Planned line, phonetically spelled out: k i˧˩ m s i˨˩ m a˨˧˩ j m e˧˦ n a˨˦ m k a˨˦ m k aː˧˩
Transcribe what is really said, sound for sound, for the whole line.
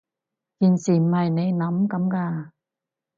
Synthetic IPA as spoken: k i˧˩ n s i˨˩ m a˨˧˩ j n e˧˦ n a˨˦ m k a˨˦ m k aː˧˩